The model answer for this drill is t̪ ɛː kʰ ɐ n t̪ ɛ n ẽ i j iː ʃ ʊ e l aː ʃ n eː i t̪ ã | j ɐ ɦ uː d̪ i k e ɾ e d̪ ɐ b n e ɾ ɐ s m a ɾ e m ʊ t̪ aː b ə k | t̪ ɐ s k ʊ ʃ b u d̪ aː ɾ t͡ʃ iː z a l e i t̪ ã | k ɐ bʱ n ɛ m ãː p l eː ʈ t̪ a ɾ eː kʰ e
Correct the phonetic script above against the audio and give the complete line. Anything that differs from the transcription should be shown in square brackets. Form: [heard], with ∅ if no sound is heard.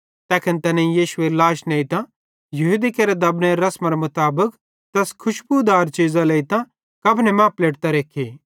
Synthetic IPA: t̪ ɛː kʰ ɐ n t̪ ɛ n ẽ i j iː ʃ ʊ e l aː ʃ n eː i t̪ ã | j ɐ ɦ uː d̪ i k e ɾ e d̪ ɐ b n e ɾ ɐ s m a ɾ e m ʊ t̪ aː b ə k | t̪ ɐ s [kʰ] ʊ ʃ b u d̪ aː ɾ t͡ʃ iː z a l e i t̪ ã | k ɐ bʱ n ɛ m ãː p l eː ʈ t̪ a ɾ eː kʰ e